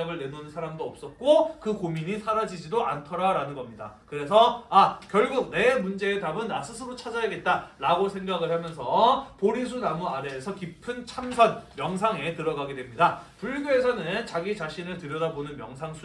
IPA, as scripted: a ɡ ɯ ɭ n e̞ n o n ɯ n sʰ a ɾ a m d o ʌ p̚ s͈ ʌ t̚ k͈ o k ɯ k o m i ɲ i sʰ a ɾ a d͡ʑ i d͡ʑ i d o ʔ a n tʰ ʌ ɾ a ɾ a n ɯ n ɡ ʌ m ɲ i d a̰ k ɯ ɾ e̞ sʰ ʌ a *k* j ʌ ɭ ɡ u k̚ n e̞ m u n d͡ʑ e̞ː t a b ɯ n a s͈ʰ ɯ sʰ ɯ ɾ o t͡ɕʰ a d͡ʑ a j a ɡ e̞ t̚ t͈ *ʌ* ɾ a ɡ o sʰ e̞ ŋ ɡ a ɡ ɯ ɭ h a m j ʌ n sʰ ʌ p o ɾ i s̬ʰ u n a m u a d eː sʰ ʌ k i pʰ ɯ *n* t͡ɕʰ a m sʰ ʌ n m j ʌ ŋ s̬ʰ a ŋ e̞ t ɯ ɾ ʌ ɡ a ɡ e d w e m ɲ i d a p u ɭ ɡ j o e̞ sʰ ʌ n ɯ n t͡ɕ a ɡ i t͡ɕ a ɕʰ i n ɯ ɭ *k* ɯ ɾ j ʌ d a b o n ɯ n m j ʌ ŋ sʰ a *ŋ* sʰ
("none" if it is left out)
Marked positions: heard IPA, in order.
k, a, n, t, ŋ

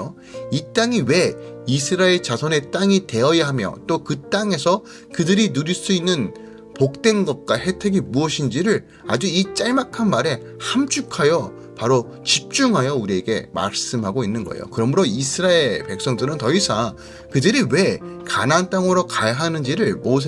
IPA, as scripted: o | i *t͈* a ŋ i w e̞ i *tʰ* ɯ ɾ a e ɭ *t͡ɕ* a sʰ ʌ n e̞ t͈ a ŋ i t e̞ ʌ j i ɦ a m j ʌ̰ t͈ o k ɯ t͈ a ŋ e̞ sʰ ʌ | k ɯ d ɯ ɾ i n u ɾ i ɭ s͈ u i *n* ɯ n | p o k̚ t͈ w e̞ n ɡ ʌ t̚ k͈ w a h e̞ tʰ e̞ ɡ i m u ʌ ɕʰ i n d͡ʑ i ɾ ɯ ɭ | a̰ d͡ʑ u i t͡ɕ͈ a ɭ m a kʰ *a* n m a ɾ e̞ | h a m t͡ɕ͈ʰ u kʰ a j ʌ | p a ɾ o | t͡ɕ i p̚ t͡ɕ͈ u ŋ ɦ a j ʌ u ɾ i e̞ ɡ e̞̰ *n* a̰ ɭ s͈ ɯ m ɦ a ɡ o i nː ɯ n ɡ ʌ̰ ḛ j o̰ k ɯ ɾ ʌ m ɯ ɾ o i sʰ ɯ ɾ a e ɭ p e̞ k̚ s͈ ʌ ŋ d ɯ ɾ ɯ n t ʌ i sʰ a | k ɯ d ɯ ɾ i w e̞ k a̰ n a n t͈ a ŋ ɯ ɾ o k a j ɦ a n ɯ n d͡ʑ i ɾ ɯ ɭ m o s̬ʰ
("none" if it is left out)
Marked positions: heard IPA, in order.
t͈, sʰ, t͡ɕ, nː, a, m

